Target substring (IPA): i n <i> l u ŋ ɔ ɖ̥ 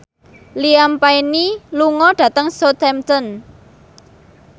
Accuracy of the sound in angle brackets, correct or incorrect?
correct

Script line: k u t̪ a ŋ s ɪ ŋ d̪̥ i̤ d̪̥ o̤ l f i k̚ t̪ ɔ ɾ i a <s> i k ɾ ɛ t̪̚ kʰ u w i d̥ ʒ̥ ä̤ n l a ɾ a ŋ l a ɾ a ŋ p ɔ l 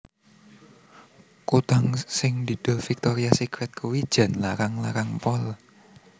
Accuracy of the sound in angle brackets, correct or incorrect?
correct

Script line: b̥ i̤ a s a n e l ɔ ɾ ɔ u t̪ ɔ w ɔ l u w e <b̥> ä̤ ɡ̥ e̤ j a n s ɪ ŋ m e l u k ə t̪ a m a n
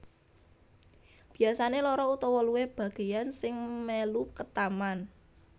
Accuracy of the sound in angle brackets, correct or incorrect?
correct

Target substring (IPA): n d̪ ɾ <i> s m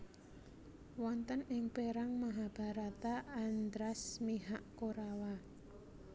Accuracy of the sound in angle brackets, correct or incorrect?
incorrect: a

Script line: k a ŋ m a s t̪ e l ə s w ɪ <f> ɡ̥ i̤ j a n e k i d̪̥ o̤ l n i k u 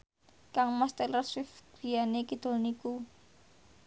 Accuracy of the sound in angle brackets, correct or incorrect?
correct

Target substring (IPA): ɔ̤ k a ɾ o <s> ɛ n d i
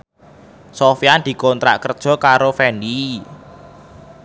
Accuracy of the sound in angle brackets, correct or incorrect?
incorrect: f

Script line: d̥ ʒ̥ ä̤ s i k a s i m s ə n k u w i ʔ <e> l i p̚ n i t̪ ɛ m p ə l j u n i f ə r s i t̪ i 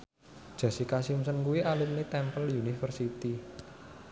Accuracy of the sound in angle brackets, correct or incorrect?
incorrect: a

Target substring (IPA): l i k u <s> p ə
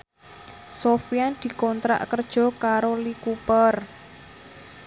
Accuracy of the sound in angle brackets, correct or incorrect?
incorrect: none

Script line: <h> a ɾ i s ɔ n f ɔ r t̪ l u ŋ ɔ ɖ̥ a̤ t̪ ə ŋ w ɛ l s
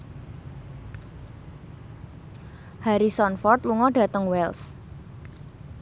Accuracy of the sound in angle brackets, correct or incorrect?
correct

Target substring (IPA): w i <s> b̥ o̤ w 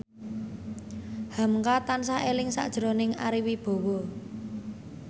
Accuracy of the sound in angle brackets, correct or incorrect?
incorrect: none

